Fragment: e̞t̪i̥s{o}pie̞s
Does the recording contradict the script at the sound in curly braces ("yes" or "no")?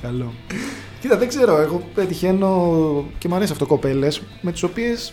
no